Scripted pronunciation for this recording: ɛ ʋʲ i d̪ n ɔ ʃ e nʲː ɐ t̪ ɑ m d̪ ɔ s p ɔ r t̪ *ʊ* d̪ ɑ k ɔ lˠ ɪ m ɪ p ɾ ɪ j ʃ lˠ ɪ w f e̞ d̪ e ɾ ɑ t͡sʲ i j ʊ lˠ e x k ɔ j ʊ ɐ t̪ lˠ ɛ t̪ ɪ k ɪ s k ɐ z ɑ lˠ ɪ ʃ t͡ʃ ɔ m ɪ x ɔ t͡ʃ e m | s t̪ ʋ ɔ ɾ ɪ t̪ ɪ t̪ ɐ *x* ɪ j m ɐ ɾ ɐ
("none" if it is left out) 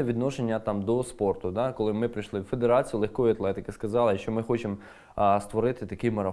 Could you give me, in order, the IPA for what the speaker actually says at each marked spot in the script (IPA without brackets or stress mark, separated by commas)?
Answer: ʊ, k